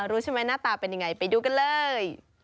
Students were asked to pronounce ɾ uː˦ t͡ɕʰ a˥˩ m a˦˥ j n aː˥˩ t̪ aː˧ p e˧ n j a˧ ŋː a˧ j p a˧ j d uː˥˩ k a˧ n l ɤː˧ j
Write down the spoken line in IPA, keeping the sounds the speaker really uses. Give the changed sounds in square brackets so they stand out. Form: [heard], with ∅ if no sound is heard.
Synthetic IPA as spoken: ɾ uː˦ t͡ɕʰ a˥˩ m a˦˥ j n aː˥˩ t̪ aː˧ p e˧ n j a˧ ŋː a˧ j p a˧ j d [uː˧˩] k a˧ n l ɤː˧ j

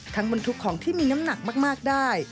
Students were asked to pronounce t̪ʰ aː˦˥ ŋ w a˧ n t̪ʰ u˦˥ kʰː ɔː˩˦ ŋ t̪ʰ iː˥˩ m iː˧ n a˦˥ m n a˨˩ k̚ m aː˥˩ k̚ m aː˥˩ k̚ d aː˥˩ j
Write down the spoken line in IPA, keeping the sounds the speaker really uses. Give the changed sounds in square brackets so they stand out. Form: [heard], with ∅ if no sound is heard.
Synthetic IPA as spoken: t̪ʰ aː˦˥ ŋ [b] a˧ n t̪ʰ u˦˥ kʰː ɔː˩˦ ŋ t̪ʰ iː˥˩ m iː˧ n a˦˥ m n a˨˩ k̚ m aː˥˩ k̚ m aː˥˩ k̚ d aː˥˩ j

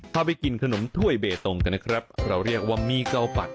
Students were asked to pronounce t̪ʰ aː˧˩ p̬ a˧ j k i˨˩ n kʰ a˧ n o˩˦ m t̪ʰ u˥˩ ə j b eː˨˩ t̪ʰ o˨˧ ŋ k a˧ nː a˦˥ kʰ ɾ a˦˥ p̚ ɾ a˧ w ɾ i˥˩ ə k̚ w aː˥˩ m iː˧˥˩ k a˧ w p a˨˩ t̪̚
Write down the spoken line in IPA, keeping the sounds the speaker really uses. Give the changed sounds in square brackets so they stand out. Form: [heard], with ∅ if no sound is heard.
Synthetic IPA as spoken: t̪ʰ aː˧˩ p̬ a˧ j k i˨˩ n kʰ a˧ n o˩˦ m t̪ʰ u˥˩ ə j b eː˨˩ [t̪] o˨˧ ŋ k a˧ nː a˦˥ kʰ ɾ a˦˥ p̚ ɾ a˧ w ɾ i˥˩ ə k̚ w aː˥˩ m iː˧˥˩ k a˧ w p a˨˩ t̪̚

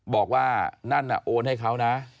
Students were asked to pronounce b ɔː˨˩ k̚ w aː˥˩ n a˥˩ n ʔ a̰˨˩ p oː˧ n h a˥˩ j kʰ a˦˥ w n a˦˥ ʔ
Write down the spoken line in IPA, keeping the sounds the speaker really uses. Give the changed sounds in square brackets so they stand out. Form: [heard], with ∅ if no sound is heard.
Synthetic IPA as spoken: b ɔː˨˩ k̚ w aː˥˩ n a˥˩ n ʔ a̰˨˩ [ʔ] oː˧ n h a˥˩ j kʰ a˦˥ w n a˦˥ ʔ

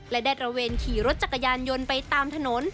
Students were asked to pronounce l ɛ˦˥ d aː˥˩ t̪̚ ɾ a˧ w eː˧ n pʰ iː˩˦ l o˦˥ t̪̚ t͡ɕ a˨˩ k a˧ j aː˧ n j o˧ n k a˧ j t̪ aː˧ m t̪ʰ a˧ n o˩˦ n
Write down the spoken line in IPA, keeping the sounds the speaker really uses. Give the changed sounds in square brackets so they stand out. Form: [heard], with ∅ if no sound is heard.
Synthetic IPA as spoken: l ɛ˦˥ d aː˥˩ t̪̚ ɾ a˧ w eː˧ n [kʰ] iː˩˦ [ɾ] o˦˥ t̪̚ t͡ɕ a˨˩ k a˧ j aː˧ n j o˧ n [p] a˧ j t̪ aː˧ m t̪ʰ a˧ n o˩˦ n

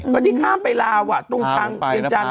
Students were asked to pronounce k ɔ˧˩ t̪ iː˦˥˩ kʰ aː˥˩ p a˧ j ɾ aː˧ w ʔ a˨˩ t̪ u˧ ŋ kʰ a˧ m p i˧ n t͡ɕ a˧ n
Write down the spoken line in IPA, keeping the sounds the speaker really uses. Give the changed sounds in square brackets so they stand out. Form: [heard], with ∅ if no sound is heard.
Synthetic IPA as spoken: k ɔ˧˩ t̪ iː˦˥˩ kʰ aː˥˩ p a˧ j [l] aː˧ w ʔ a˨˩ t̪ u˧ ŋ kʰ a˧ [ŋ] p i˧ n t͡ɕ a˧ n

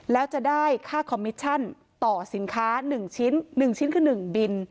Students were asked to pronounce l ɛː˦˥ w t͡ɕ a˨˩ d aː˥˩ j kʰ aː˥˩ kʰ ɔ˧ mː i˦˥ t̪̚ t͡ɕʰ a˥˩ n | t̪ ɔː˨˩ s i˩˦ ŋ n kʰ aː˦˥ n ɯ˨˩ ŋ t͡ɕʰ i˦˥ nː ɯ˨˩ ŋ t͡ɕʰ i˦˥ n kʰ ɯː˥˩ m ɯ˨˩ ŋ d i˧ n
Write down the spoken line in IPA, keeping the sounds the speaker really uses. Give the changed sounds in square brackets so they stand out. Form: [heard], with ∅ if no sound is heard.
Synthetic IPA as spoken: l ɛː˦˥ w t͡ɕ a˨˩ d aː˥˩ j kʰ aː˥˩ kʰ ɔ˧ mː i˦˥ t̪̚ t͡ɕʰ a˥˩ n | t̪ ɔː˨˩ s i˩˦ [∅] n kʰ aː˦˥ n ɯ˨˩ ŋ t͡ɕʰ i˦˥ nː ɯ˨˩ ŋ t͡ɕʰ i˦˥ n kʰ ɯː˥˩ [n] ɯ˨˩ ŋ [b] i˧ n

